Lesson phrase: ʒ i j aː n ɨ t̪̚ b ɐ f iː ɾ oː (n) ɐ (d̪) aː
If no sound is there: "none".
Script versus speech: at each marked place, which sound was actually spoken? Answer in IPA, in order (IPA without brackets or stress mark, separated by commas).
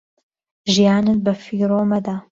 m, d̪